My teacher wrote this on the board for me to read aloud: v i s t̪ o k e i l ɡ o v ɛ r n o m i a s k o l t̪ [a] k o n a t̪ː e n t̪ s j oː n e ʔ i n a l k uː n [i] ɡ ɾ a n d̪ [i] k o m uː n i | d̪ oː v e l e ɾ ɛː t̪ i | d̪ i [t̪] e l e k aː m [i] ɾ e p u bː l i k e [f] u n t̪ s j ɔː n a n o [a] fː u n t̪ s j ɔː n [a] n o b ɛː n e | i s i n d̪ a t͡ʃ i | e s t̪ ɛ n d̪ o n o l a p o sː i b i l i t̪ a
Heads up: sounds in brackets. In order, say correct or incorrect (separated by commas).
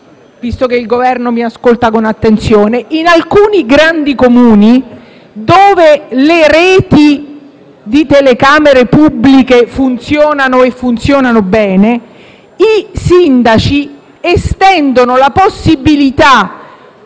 correct, correct, correct, correct, incorrect, correct, incorrect, correct